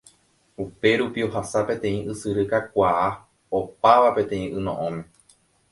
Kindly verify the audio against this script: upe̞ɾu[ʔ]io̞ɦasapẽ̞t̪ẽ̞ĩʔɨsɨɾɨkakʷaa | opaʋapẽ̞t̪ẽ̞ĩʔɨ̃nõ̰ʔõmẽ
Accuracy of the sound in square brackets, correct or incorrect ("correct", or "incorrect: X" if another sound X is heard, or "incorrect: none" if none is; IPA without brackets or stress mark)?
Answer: incorrect: p